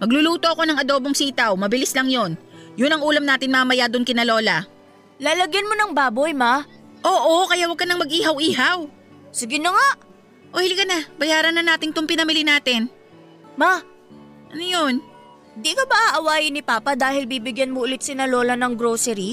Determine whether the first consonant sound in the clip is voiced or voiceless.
voiced